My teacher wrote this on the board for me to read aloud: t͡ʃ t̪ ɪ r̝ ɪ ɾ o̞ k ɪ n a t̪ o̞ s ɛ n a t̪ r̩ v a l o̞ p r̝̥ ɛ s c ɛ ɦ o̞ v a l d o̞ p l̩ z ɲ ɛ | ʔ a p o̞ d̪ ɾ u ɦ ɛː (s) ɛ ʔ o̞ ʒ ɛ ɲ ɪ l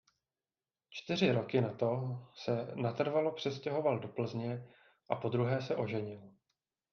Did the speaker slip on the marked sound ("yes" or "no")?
no